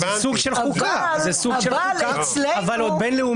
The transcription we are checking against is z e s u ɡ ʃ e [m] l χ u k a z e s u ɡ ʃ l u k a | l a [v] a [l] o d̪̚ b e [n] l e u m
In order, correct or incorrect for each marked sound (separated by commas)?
incorrect, correct, correct, correct